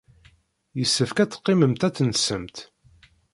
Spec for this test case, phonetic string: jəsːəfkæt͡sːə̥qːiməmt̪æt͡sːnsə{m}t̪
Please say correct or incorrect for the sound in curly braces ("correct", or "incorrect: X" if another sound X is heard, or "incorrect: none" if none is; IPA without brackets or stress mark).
correct